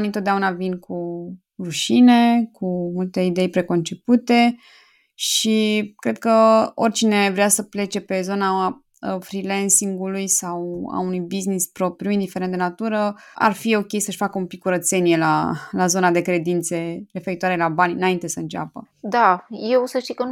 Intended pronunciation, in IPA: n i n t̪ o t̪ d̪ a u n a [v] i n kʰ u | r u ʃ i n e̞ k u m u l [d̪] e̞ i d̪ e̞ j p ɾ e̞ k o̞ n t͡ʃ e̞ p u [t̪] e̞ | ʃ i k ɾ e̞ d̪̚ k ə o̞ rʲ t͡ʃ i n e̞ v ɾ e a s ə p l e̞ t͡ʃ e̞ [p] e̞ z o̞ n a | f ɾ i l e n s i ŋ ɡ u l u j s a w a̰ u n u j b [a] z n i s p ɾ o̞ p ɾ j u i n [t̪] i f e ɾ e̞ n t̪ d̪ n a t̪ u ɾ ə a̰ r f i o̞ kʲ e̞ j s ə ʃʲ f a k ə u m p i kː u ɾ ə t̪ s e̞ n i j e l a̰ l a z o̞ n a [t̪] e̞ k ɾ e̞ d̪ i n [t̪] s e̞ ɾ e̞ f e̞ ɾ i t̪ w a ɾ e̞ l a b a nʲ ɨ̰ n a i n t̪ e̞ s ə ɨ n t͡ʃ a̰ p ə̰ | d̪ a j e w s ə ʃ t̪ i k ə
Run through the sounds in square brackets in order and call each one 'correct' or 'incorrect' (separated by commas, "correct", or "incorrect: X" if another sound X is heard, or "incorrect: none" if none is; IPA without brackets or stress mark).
correct, incorrect: t̪, correct, correct, incorrect: i, incorrect: d̪, incorrect: d̪, correct